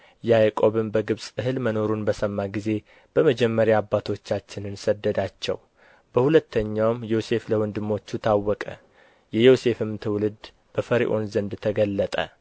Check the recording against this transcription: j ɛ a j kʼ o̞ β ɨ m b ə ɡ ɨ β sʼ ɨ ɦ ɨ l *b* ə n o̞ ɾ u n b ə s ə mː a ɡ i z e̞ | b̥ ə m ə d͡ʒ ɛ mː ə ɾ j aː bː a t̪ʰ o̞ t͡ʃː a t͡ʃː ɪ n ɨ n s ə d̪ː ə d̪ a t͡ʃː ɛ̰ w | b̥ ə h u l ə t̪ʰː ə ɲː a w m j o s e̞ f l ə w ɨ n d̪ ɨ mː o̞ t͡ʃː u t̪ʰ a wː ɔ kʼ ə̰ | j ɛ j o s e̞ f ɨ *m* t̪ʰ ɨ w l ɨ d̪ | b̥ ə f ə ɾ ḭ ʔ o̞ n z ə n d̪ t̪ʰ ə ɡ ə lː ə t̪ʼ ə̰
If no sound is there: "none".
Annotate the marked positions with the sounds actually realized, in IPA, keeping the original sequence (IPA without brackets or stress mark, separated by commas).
m, m